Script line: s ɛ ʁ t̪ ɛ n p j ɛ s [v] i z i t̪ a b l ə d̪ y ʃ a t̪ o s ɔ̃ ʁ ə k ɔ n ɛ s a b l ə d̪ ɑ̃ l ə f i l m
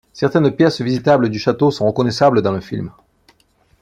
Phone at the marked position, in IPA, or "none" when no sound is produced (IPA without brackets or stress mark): v